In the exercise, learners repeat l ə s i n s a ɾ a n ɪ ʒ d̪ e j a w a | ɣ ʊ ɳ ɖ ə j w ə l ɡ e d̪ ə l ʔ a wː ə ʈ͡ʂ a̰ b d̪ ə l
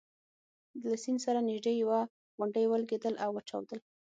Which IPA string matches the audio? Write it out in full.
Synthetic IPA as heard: l a s i n s a ɾ a n ɪ ʒ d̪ e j a w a | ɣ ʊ ɳ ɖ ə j w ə l ɡ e d̪ ə l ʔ a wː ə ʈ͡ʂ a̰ w d̪ ə l